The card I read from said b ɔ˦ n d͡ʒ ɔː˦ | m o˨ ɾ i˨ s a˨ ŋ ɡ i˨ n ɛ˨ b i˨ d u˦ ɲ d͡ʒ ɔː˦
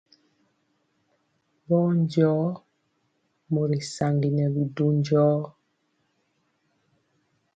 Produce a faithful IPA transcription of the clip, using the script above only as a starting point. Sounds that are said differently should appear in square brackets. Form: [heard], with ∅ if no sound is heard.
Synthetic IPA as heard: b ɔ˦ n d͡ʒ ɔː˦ | m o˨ ɾ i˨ s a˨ ŋ ɡ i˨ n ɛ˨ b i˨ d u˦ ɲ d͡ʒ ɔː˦